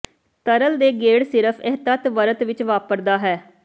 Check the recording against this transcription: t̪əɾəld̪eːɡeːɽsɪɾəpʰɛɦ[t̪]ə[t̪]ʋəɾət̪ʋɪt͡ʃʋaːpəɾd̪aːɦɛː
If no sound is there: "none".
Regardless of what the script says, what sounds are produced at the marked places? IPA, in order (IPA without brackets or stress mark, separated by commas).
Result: t̪, t̪